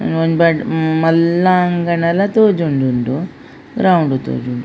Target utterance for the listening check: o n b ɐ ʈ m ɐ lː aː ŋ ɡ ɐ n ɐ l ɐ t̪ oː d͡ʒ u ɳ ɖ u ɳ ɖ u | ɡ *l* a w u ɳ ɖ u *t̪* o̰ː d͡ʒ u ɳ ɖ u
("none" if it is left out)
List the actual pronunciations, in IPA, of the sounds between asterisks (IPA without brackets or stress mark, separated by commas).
ɾ, t̪